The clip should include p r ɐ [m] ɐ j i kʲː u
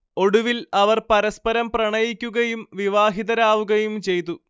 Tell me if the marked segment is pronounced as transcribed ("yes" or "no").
no